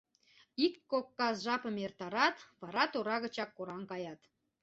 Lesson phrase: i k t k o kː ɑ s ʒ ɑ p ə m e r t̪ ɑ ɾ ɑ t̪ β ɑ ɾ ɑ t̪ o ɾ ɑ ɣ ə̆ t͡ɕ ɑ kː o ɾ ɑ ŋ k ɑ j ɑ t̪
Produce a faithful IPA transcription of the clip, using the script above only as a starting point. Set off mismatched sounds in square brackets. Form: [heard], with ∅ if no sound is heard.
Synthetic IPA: i k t k o kː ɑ s ʒ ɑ p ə m e r t̪ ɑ ɾ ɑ t̪ β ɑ ɾ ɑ t̪ o ɾ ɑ ɣ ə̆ t͡ɕ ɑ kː o ɾ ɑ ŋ k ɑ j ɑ t̪